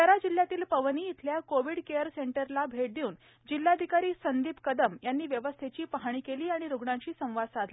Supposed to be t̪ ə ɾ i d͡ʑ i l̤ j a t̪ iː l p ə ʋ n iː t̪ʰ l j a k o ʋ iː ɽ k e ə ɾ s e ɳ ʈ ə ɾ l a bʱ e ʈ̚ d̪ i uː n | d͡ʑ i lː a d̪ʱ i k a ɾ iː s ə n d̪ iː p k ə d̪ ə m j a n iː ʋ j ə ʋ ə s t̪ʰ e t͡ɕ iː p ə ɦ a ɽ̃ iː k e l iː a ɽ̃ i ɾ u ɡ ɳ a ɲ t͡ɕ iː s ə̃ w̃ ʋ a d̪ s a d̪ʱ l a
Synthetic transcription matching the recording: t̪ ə ɾ a d͡ʑ i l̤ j a t̪ iː l p ə ʋ n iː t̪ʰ l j a k o ʋ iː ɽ k e ə ɾ s e ɳ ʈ ə ɾ l a bʱ e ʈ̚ d̪ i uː n | d͡ʑ i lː a d̪ʱ i k a ɾ iː s ə n d̪ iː p k ə d̪ ə m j a nː iː ʋ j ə ʋ ə s t̪ʰ e t͡ɕ iː p ə ɦ a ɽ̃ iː k e l iː a ɽ̃ i ɾ u ɡ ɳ a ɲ t͡ɕ iː s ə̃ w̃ ʋ a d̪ s a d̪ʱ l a